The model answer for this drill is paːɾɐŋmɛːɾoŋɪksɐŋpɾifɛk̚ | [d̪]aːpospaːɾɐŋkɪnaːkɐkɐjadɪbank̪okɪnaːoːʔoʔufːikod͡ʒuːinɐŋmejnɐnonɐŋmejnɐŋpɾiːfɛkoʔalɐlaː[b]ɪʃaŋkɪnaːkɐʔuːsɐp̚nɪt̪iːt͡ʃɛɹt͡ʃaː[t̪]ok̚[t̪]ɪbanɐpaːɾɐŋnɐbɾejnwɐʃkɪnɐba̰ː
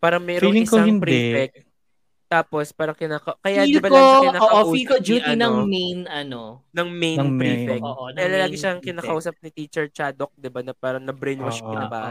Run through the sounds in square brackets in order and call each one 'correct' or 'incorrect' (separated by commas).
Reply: incorrect, incorrect, incorrect, incorrect